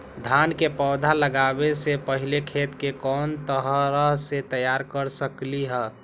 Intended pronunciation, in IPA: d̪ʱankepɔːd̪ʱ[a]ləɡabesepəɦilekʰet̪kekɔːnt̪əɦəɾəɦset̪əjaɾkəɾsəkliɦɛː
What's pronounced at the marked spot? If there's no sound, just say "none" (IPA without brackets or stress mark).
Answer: a